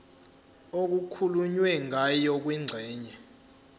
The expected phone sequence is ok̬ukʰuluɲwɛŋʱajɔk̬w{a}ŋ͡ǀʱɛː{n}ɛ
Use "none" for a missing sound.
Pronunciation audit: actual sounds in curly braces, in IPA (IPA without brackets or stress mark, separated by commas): i, ɲ